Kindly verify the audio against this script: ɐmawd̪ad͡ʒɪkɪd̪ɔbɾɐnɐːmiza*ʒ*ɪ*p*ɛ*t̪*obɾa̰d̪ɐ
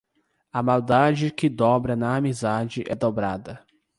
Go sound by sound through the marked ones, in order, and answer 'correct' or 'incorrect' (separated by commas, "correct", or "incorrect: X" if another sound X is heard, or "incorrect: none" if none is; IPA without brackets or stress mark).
incorrect: d͡ʒ, incorrect: ʔ, incorrect: d̪